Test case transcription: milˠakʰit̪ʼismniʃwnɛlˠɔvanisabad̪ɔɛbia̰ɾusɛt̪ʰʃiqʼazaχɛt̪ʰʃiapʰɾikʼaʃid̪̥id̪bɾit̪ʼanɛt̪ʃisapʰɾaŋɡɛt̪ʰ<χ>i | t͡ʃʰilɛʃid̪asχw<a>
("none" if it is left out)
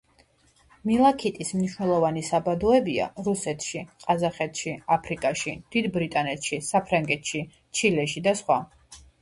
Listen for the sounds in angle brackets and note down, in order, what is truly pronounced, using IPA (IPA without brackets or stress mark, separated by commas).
ʃ, a